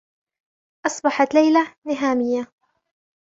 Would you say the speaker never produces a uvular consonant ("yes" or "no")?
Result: yes